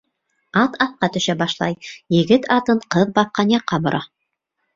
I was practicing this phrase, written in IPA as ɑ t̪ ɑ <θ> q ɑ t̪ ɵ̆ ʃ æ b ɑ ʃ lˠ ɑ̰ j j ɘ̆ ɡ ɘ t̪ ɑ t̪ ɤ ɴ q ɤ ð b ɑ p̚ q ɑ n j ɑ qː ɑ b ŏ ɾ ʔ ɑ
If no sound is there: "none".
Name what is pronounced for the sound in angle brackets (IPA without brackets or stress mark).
θ